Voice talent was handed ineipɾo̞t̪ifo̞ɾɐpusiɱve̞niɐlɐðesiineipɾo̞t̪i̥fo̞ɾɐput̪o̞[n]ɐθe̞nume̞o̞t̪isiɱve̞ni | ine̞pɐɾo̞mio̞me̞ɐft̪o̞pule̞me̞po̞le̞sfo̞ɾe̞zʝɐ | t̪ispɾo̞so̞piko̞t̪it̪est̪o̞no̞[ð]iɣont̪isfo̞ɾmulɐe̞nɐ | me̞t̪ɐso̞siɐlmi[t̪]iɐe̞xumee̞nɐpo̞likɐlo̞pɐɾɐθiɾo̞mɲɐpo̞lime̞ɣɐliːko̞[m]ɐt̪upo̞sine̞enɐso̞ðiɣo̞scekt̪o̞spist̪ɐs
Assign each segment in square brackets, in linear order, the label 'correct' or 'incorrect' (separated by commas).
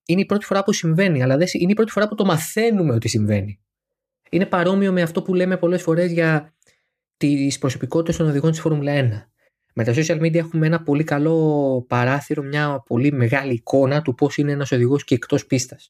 incorrect, correct, incorrect, incorrect